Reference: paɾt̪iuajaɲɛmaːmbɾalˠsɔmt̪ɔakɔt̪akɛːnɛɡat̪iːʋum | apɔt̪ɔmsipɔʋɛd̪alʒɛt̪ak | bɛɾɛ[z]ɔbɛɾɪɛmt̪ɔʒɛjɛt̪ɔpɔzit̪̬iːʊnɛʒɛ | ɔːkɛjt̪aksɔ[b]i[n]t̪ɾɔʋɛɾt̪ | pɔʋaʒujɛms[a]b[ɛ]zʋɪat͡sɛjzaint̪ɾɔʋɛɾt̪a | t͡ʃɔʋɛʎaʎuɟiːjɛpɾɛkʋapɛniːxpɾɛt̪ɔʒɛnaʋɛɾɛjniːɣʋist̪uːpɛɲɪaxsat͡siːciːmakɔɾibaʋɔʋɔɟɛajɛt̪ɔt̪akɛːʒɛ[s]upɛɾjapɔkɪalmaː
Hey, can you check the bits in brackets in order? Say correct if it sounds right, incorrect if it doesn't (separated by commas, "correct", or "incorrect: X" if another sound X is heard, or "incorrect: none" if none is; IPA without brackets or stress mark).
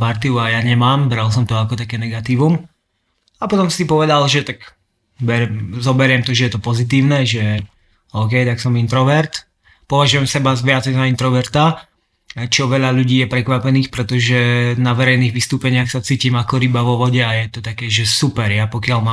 correct, incorrect: m, correct, incorrect: ɛ, incorrect: a, correct